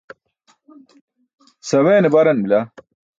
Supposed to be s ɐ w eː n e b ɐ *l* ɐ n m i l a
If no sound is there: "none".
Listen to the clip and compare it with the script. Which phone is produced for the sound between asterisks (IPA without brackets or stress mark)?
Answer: ɾ